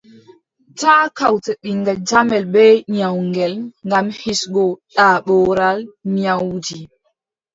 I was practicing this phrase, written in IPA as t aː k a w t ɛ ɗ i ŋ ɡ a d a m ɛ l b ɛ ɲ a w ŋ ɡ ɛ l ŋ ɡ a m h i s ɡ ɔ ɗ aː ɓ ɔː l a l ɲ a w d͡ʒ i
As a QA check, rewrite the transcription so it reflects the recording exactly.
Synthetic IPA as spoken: t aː k a w t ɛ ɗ i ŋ ɡ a d͡ʒ a m ɛ l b ɛ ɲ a w ŋ ɡ ɛ l ŋ ɡ a m h i s ɡ ɔ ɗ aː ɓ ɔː ɾ a l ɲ a w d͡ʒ i